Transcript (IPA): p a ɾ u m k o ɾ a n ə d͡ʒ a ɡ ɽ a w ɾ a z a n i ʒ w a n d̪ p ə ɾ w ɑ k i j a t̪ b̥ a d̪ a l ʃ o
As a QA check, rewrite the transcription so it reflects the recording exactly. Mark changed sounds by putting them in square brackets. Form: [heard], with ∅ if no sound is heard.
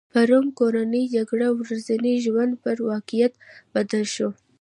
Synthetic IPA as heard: p a ɾ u m k o ɾ a n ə d͡ʒ a ɡ ɽ a w ɾ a z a n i ʒ w a n d̪ p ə ɾ w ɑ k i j a t̪ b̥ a d̪ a l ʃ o